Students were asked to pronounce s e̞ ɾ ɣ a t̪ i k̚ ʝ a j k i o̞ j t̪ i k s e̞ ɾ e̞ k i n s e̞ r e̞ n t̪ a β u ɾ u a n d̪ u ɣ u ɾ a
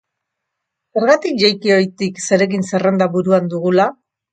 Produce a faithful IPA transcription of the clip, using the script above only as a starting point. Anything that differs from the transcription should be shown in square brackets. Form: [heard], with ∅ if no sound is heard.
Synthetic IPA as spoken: s e̞ ɾ ɣ a t̪ i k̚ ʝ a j k i o̞ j t̪ i k s e̞ ɾ e̞ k i n s e̞ r e̞ n [d̪] a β u ɾ u a n d̪ u ɣ u [l] a

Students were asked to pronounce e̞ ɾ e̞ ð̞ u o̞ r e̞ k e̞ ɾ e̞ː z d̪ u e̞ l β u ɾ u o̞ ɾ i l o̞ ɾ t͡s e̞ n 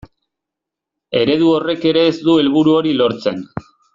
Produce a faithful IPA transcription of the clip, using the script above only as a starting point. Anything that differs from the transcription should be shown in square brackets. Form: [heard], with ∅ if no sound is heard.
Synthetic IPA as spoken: e̞ ɾ e̞ ð̞ u o̞ r e̞ k e̞ ɾ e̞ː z d̪ u e̞ l β u ɾ u o̞ ɾ i l o̞ ɾ t͡s e̞ n

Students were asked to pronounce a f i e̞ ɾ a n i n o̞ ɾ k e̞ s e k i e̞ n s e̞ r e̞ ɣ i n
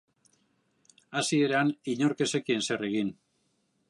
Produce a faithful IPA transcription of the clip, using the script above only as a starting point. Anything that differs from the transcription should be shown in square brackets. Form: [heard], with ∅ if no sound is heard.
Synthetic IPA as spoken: a [s] i e̞ ɾ a n i [ɲ] o̞ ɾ k e̞ s e k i e̞ n s e̞ r e̞ ɣ i n

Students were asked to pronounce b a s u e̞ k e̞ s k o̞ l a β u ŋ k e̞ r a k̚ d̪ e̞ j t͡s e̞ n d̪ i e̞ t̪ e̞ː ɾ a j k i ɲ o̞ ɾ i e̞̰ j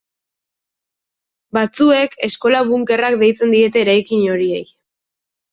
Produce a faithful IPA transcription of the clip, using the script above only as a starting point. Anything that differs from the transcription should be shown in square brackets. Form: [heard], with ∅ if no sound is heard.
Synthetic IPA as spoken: b a [t͡s] u e̞ k e̞ s k o̞ l a β u ŋ k e̞ r a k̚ d̪ e̞ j t͡s e̞ n d̪ i e̞ t̪ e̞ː ɾ a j k i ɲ o̞ ɾ i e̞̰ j

